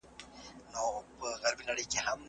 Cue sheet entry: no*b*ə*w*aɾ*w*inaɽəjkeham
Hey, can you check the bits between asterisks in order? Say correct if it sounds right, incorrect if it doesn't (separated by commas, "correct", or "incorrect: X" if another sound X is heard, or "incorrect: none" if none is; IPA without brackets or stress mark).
incorrect: p, incorrect: ɣ, incorrect: b